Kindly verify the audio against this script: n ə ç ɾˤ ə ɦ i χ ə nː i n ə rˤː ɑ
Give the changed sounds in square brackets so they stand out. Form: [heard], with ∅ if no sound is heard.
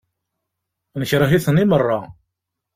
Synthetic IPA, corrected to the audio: n ə ç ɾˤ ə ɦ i [θ] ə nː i [m] ə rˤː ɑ